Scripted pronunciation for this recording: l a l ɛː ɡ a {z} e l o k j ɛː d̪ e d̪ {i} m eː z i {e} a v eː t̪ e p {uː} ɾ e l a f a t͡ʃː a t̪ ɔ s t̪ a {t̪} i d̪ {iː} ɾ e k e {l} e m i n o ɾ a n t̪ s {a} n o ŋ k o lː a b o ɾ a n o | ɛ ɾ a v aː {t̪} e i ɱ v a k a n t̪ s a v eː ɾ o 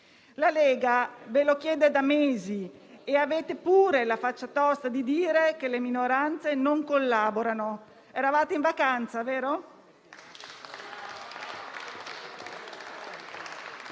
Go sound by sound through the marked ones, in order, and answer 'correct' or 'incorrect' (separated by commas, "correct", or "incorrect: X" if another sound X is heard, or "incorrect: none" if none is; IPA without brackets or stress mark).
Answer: incorrect: v, incorrect: a, correct, correct, incorrect: d̪, correct, correct, incorrect: e, correct